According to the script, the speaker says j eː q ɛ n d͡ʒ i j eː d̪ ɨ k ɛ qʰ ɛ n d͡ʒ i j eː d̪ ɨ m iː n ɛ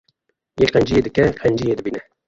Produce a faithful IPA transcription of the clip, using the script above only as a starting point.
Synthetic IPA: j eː q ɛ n d͡ʒ i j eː d̪ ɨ k ɛ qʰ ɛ n d͡ʒ i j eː d̪ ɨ b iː n ɛ